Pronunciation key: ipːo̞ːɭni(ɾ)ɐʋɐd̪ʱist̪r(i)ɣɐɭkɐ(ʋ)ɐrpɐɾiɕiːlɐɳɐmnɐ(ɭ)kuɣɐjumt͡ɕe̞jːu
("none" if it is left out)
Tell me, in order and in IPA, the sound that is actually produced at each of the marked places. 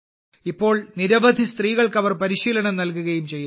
ɾ, iː, ʋ, l

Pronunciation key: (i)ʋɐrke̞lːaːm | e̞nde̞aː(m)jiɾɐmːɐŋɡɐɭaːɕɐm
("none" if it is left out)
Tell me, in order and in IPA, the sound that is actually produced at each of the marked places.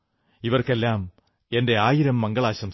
i, none

